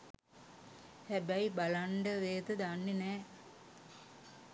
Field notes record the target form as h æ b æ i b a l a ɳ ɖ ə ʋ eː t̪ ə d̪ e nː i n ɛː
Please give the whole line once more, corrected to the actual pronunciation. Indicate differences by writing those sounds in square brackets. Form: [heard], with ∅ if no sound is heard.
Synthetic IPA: h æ b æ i b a l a ɳ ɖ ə ʋ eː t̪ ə d̪ [a] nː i n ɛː